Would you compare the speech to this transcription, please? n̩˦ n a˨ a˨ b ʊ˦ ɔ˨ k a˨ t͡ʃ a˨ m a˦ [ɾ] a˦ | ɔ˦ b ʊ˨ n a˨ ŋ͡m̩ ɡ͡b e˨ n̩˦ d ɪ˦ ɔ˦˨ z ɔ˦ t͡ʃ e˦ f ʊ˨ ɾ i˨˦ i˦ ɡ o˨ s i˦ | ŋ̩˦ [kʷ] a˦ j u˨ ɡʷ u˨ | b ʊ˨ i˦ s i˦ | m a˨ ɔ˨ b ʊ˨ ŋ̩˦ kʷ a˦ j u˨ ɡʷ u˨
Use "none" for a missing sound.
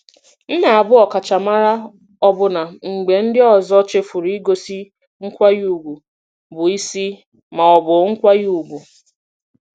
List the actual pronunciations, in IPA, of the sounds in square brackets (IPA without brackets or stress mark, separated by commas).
ɾ, kʷ